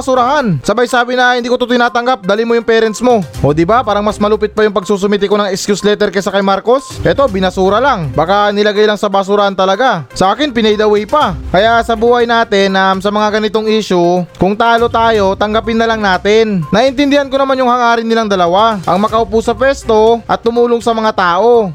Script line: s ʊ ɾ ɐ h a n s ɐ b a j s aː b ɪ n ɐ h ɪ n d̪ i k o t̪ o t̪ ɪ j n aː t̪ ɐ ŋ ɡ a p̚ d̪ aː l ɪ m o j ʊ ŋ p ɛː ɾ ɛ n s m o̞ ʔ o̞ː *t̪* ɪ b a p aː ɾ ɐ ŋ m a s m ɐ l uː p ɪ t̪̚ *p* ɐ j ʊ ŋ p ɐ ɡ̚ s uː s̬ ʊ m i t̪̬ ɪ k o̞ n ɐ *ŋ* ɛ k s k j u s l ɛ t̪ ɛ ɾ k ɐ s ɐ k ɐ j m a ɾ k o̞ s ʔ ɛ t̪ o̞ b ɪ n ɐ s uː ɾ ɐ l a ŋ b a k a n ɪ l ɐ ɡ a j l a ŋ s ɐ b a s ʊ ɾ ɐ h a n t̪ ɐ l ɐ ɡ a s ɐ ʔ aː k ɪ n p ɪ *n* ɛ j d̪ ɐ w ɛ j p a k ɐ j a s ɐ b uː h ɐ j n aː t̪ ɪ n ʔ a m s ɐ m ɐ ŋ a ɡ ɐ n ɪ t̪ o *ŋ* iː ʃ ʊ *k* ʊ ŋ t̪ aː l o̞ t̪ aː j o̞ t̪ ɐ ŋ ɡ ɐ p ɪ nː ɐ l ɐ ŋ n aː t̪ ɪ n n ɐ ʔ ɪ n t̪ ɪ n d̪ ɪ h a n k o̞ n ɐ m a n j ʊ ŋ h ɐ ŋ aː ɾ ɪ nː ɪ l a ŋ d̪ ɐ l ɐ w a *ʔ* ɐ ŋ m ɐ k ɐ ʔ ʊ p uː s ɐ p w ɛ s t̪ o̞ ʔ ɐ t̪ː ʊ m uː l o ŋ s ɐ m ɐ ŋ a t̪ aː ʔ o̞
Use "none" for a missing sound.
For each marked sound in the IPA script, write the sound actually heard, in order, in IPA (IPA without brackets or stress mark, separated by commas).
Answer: d̪, p, ŋ, n, ŋ, k, ʔ